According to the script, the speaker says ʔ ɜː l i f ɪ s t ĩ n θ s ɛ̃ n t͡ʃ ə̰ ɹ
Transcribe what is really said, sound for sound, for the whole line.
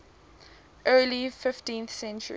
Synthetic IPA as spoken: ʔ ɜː l i f ɪ f t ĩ n θ s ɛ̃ n t͡ʃ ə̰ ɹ